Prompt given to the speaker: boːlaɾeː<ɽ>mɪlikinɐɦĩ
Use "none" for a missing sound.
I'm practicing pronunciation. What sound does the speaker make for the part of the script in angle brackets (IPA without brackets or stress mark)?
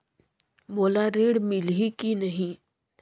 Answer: ɽ